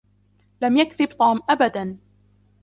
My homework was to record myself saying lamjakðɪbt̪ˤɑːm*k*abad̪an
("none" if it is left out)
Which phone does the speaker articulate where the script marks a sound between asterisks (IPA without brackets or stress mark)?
ʔ